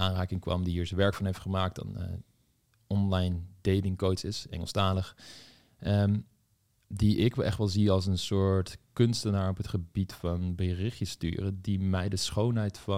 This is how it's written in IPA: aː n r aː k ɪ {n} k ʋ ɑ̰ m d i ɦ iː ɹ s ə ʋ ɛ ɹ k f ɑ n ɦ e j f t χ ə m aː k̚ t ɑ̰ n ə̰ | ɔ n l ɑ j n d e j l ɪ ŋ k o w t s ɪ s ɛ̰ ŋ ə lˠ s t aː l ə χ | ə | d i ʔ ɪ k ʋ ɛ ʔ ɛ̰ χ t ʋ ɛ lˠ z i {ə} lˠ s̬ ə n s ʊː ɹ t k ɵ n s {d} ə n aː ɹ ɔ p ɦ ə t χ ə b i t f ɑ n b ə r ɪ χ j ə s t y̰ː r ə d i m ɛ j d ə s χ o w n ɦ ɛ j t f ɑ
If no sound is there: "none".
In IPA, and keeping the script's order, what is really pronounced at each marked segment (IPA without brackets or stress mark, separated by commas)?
ŋ, ɑ, t